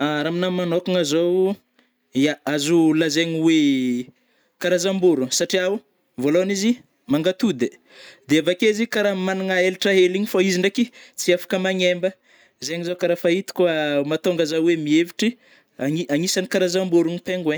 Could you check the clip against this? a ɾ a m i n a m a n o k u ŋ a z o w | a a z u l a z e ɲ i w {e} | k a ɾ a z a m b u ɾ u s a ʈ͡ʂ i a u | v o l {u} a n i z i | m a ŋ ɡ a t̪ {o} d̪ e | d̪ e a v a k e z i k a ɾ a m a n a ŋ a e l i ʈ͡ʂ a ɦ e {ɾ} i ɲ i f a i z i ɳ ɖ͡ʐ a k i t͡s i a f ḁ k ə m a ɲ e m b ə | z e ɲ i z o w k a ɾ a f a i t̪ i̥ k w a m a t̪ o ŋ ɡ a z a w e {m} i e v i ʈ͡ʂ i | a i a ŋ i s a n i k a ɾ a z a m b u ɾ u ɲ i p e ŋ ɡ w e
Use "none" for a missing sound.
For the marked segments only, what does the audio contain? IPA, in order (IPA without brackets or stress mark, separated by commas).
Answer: e, o, u, l, m